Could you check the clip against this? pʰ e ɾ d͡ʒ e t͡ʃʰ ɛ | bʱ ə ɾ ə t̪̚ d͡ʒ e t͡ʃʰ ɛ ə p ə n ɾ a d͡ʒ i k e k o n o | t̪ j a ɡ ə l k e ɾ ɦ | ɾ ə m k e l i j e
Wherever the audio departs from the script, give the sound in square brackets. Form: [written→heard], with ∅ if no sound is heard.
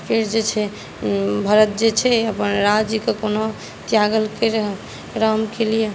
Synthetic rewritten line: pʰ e ɾ d͡ʒ e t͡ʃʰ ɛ | bʱ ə ɾ ə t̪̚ d͡ʒ e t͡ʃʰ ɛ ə p ə n ɾ a d͡ʒ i k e k o n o | t̪ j a ɡ ə l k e ɾ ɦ | ɾ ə m k e l i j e